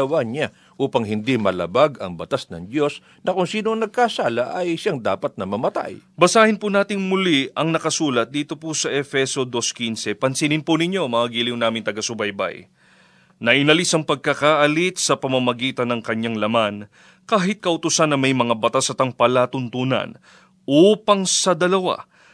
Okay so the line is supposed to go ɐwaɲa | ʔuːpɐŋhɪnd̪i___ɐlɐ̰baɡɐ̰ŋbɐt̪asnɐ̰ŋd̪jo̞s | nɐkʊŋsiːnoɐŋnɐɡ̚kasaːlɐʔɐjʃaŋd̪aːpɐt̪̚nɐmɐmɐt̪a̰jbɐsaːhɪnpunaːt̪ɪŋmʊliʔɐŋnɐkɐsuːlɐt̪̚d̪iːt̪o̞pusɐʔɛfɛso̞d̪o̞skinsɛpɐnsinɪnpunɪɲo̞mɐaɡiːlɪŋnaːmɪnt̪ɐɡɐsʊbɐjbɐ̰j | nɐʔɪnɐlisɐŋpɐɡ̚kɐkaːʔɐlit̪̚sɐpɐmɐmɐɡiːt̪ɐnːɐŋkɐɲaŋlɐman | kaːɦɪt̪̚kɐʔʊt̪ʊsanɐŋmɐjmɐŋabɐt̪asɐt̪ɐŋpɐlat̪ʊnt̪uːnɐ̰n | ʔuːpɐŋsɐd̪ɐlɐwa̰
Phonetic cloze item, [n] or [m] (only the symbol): m